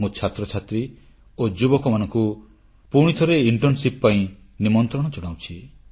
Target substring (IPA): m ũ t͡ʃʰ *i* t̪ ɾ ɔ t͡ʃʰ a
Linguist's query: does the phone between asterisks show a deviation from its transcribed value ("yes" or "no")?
yes